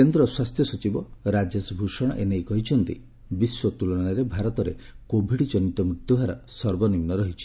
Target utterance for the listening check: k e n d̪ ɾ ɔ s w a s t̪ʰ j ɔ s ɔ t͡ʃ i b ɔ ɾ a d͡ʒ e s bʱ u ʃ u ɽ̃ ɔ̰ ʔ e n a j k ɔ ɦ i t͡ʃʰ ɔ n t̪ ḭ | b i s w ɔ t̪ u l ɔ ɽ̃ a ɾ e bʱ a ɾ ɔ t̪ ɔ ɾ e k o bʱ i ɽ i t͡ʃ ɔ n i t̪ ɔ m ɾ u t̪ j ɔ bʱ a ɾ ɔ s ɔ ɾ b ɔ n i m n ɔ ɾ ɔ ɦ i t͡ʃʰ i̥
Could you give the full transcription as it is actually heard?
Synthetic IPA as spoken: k e n d̪ ɾ ɔ s w a s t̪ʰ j ɔ s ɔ t͡ʃ i b ɔ ɾ a d͡ʒ e s bʱ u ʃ ɔ ɽ̃ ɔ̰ ʔ e n e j k ɔ ɦ i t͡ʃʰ ɔ n t̪ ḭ | b i s w ɔ t̪ u l ɔ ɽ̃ a ɾ e bʱ a ɾ ɔ t̪ ɔ ɾ e k o bʱ i ɽ i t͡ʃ ɔ n i t̪ ɔ m ɾ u t̪ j ɔ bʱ a ɾ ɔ s ɔ ɾ b ɔ n i m n ɔ ɾ ɔ ɦ i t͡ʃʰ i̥

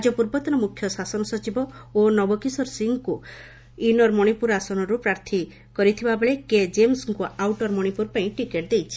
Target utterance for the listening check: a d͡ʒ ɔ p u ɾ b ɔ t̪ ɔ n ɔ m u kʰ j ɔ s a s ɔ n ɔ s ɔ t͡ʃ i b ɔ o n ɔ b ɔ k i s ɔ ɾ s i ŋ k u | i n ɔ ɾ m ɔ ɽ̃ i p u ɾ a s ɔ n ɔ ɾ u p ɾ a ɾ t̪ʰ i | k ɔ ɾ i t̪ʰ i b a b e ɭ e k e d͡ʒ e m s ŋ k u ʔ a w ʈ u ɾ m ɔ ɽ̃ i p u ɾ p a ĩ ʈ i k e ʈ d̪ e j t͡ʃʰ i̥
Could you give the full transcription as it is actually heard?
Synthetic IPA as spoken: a d͡ʒ ɔ p u ɾ b ɔ t̪ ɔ n ɔ m u kʰ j ɔ s a s ɔ n ɔ s ɔ t͡ʃ i b ɔ o n ɔ b ɔ k i s ɔ ɾ s i ŋ k u | i n ɔ ɾ m ɔ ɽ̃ i p u ɾ a s ɔ n ɔ ɾ u p ɾ a ɾ t̪ʰ i | k ɔ ɾ i t̪ʰ i b a b e ɭ e k e d͡ʒ e m s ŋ k u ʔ a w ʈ ɔ ɾ m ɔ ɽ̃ i p u ɾ p a ĩ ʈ i k e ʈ d̪ e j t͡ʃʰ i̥

